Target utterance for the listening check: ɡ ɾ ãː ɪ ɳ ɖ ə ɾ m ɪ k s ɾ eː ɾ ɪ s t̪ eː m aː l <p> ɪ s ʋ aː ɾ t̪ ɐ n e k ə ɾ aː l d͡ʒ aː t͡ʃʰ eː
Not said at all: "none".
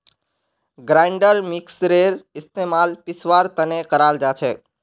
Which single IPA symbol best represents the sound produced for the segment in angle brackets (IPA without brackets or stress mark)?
p